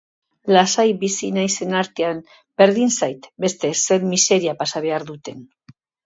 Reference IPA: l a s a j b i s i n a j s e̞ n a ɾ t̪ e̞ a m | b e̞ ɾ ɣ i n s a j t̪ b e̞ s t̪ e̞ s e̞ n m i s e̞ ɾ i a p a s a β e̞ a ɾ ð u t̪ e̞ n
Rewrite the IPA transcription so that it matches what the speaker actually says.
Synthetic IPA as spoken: l a s a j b i s i n a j s e̞ n a ɾ t̪ e̞ a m | b e̞ ɾ ð i n s a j t̪ b e̞ s t̪ e̞ s e̞ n m i s e̞ ɾ i a p a s a β e̞ a ɾ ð u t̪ e̞ n